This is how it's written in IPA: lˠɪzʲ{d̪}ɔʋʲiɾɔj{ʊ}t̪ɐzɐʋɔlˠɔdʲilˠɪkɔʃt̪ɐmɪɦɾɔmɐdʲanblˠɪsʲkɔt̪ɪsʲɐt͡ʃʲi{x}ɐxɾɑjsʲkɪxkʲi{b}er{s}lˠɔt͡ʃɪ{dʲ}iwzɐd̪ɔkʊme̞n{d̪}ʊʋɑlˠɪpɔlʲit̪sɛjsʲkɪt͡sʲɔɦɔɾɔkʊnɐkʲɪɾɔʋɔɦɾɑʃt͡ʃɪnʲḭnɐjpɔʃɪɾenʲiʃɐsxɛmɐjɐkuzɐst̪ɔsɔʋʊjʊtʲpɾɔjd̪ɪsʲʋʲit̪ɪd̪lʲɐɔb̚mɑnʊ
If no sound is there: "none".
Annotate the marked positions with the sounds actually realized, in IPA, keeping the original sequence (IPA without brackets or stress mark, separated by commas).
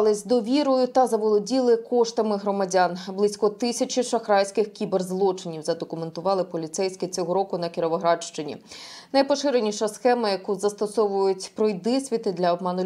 d̪, ʊ, ʃ, b, z, nʲ, t̪